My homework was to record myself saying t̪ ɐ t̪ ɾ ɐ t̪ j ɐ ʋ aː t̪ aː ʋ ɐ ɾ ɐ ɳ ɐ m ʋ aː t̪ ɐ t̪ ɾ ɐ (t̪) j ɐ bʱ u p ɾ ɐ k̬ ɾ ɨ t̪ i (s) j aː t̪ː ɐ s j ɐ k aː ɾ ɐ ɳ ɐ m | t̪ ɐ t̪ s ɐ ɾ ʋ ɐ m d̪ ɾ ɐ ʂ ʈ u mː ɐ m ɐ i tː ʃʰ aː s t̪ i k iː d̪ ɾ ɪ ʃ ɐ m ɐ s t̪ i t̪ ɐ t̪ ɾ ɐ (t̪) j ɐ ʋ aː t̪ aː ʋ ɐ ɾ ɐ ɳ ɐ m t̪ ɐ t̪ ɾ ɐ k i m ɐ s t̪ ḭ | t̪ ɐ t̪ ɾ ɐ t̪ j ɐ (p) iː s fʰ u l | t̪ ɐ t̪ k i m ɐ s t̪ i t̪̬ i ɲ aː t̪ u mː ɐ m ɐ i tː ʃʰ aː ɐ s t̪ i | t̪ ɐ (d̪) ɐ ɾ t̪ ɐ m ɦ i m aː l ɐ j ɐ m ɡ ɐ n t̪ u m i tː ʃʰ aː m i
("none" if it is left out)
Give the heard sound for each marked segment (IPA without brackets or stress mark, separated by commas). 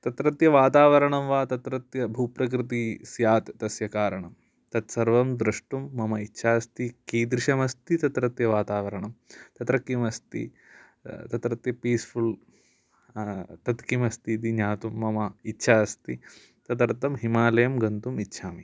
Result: t̪, s, t̪, p, t̪